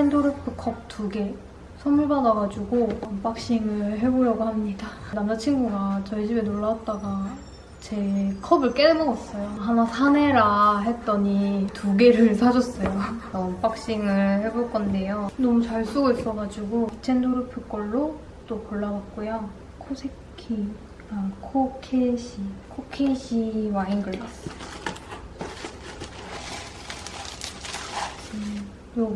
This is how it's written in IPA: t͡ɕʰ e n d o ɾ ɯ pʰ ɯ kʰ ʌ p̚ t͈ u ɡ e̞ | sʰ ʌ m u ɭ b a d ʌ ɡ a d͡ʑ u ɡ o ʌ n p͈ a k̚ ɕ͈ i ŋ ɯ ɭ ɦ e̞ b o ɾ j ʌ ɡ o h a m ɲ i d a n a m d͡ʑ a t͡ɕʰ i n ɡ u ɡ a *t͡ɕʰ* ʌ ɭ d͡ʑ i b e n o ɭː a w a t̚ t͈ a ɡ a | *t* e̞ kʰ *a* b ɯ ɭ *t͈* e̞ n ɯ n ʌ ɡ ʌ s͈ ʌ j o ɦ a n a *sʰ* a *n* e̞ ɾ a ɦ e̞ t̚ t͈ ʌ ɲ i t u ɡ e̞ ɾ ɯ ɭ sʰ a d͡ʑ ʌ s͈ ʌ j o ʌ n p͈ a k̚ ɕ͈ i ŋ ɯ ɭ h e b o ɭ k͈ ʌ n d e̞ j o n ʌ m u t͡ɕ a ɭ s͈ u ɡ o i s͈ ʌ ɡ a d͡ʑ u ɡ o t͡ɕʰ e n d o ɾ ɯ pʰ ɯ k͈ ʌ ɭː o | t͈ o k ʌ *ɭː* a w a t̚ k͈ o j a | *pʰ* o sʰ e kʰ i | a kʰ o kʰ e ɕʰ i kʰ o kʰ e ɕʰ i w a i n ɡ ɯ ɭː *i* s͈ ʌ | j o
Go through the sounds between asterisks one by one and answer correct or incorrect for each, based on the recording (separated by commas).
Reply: incorrect, incorrect, incorrect, incorrect, correct, correct, correct, incorrect, incorrect